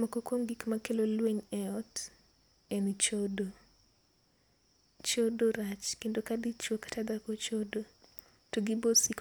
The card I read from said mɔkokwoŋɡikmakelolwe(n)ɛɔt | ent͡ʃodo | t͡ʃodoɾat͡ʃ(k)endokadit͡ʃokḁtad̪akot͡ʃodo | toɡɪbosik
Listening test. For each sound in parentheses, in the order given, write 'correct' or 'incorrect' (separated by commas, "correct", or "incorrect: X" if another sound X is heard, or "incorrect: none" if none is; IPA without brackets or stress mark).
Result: incorrect: ɲ, correct